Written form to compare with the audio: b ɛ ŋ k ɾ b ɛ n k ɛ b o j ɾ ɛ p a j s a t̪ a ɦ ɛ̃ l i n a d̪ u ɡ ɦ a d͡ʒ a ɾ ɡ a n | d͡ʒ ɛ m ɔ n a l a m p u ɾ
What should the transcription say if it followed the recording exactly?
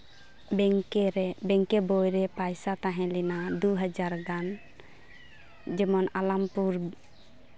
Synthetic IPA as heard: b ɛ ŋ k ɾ b ɛ ŋ k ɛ b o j ɾ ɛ p a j s a t̪ a ɦ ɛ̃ l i n a d̪ u ɦ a d͡ʒ a ɾ ɡ a n | d͡ʒ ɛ m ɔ n a l a m p u ɾ

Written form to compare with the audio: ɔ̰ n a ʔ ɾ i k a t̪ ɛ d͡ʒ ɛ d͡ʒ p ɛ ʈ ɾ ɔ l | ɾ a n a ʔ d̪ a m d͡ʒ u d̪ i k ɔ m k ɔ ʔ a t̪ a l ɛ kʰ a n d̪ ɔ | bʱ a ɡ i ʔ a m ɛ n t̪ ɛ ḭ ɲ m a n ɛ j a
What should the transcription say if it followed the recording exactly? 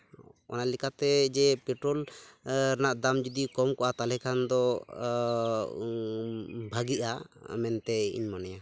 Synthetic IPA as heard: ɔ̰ n a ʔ l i k a t̪ ɛ d͡ʒ ɛ p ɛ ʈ ɾ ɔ l | ɾ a n a ʔ d̪ a m d͡ʒ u d̪ i k ɔ m k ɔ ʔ a t̪ a l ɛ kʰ a n d̪ ɔ | bʱ a ɡ i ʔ a m ɛ n t̪ ɛ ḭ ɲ m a n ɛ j a

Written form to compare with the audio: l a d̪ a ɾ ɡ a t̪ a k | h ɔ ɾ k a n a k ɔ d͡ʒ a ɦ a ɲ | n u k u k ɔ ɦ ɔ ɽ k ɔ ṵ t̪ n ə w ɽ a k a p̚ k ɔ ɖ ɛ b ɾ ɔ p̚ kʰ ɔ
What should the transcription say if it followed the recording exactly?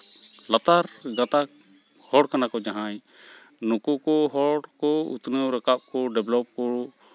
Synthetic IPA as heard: l a t̪ a ɾ ɡ a t̪ a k | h ɔ ɽ k a n a k ɔ d͡ʒ a ɦ a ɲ | n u k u k ɔ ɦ ɔ ɽ k ɔ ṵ t̪ n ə w ɾ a k a p̚ k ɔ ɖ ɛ b l ɔ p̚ k ɔ

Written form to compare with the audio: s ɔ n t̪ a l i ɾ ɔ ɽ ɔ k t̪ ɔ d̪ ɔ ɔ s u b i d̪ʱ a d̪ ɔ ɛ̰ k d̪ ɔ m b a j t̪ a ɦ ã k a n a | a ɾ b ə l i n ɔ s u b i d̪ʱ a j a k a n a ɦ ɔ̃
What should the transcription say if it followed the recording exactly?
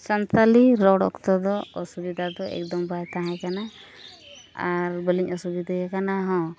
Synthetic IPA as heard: s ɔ n t̪ a l i ɾ ɔ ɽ ɔ k t̪ ɔ d̪ ɔ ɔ s u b i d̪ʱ a d̪ ɔ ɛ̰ k d̪ ɔ m b a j t̪ a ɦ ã k a n a | a ɾ b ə l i ɲ ɔ s u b i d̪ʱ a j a k a n a ɦ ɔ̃

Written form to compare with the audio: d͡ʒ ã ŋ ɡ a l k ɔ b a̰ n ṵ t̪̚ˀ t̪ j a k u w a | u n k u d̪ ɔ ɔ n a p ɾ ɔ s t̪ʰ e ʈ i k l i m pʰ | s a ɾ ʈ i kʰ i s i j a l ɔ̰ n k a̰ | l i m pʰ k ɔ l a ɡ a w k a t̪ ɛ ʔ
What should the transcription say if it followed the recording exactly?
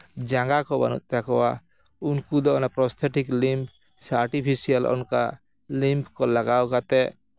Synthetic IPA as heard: d͡ʒ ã ŋ ɡ a k ɔ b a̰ n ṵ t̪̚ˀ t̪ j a k ɔ w a | u n k u d̪ ɔ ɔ n a p ɾ ɔ s t̪ʰ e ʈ i k l i m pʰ | s a ɾ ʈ i pʰ i s i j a l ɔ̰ n k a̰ | l i m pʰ k ɔ l a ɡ a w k a t̪ ɛ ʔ

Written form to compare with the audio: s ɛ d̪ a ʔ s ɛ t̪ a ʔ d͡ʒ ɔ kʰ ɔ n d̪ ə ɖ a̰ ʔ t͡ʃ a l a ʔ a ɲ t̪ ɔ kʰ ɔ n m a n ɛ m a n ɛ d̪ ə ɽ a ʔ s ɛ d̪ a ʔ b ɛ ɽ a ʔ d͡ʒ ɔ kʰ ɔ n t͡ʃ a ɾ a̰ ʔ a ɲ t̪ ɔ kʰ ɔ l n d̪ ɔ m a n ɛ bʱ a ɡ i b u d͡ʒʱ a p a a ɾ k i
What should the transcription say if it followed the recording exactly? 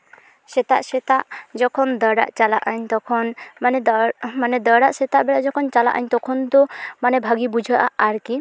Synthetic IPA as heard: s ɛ t̪ a ʔ s ɛ t̪ a ʔ d͡ʒ ɔ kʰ ɔ n d̪ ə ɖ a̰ ʔ t͡ʃ a l a ʔ a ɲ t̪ ɔ kʰ ɔ n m a n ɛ m a n ɛ d̪ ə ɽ a ʔ s ɛ t̪ a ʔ b ɛ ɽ a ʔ d͡ʒ ɔ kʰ ɔ n t͡ʃ a l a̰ ʔ a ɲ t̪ ɔ kʰ ɔ n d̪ ɔ m a n ɛ bʱ a ɡ i b u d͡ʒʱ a ʔ a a ɾ k i

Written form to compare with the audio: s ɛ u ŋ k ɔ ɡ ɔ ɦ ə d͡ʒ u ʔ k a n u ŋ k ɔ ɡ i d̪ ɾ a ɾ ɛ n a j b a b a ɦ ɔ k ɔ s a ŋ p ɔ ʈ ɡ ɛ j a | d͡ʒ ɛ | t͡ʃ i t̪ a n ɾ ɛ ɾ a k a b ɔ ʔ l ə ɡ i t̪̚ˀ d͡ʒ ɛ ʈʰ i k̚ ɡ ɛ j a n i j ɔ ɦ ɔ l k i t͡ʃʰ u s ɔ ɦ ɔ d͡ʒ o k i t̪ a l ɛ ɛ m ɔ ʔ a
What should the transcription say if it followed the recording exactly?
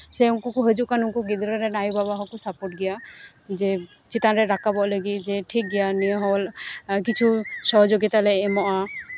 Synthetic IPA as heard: s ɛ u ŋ k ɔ k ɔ ɦ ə d͡ʒ u ʔ k a n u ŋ k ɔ ɡ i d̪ ɾ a ɾ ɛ n a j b a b a ɦ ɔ k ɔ s a p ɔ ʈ ɡ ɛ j a | d͡ʒ ɛ | t͡ʃ i t̪ a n ɾ ɛ ɾ a k a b ɔ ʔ l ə ɡ i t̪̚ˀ d͡ʒ ɛ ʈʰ i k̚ ɡ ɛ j a n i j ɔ ɦ ɔ l k i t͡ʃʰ u s ɔ ɦ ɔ d͡ʒ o ɡ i t̪ a l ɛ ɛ m ɔ ʔ a

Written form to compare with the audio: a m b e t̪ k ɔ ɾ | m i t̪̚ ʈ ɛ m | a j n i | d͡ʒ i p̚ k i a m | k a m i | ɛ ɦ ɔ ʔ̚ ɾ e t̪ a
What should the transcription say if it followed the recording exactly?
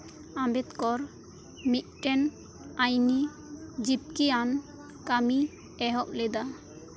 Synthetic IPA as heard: a m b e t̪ k ɔ ɾ | m i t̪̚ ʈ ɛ n | a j n i | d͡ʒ i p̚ k i a n | k a m i | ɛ ɦ ɔ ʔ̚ l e d̪ a

